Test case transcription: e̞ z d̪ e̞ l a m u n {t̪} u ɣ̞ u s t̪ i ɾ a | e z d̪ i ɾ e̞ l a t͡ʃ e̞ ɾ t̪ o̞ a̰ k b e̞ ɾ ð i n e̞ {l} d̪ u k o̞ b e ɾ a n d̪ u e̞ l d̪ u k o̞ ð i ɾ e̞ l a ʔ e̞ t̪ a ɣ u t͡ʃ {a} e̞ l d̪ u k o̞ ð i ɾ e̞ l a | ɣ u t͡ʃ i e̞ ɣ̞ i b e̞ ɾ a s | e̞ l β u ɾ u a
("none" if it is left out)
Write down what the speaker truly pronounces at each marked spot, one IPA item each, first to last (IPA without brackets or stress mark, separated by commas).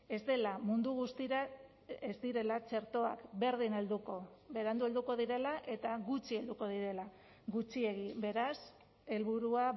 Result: d̪, l, i